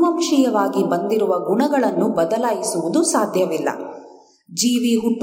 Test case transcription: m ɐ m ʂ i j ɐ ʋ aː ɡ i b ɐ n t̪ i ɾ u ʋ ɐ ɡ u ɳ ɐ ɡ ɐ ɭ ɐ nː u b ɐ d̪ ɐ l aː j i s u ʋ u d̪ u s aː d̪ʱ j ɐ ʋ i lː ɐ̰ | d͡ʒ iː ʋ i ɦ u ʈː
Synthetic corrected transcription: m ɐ m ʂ i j ɐ ʋ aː ɡ i b ɐ n d̪ i ɾ u ʋ ɐ ɡ u ɳ ɐ ɡ ɐ ɭ ɐ nː u b ɐ d̪ ɐ l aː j i s u ʋ u d̪ u s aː d̪ʱ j ɐ ʋ i lː ɐ̰ | d͡ʒ iː ʋ i ɦ u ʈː